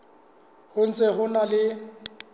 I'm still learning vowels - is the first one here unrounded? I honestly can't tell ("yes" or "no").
no